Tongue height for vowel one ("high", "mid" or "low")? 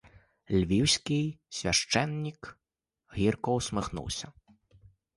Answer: high